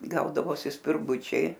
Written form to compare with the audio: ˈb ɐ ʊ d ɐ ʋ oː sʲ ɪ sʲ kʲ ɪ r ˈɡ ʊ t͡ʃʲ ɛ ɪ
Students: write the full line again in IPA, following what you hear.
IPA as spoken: ˈɡ ɐ ʊ d ɐ ʋ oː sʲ ɪ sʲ pʲ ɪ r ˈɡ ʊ t͡ʃʲ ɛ ɪ